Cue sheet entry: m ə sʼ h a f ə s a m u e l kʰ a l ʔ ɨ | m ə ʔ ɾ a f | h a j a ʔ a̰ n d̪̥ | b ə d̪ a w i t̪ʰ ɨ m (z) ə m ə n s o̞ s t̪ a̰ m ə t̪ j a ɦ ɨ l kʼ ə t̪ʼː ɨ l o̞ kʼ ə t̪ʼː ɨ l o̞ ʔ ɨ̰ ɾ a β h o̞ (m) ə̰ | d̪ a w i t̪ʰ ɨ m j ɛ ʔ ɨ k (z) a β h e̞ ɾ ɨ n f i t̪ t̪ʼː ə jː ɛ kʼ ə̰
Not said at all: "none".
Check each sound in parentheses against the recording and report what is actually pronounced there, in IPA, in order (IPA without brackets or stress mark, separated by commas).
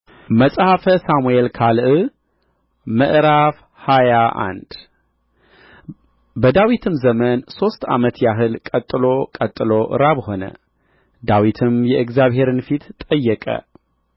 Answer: z, n, z